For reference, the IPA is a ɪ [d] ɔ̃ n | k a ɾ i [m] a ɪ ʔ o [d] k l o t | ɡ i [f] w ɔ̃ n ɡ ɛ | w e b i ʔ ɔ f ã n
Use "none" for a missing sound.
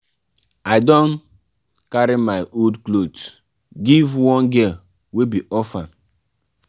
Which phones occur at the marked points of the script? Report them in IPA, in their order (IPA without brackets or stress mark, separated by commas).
d, m, d, v